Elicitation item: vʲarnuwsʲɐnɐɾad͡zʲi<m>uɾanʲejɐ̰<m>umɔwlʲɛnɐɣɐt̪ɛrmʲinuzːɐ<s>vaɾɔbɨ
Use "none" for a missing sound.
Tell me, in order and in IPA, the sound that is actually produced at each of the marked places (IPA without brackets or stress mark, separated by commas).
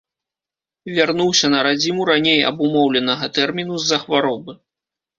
m, b, x